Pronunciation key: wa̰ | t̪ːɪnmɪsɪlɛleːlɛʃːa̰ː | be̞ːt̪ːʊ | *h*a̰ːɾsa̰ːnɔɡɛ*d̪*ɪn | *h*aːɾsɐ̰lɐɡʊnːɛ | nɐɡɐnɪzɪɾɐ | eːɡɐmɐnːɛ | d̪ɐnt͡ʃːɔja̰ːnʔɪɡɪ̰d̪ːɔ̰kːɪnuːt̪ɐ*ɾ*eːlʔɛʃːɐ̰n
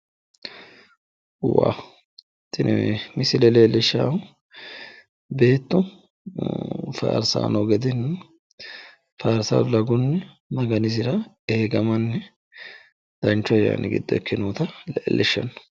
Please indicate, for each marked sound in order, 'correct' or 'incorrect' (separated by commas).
incorrect, correct, incorrect, incorrect